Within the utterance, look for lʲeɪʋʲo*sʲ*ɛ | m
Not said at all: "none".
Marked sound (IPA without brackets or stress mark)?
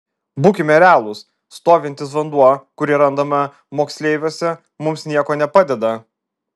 sʲ